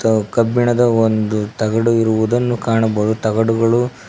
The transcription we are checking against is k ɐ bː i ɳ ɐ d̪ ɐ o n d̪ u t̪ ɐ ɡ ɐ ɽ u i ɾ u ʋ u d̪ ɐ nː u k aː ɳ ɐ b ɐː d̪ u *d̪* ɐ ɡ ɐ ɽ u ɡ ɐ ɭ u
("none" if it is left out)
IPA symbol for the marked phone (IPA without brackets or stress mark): t̪